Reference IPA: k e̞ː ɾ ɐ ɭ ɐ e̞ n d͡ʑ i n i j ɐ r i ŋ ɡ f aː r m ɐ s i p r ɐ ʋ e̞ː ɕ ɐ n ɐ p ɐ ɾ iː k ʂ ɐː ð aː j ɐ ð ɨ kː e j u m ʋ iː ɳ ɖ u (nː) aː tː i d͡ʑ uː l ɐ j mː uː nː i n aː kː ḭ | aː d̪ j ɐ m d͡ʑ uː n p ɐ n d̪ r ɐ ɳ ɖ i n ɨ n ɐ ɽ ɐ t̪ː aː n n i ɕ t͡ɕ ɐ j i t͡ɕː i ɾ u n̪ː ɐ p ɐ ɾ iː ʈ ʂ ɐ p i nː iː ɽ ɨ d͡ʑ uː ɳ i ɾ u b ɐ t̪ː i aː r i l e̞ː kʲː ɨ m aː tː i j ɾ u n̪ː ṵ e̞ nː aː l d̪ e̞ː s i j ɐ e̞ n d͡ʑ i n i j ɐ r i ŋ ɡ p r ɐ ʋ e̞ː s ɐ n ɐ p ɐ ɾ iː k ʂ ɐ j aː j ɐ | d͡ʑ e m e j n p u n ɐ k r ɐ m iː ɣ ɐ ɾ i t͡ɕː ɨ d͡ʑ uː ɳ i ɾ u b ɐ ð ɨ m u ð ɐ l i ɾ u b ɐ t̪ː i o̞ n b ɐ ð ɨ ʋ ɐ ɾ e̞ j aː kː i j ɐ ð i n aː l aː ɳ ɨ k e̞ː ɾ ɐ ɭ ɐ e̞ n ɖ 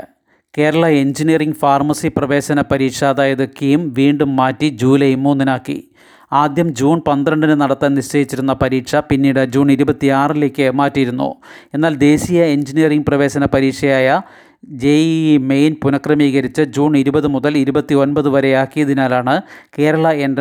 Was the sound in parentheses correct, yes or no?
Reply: no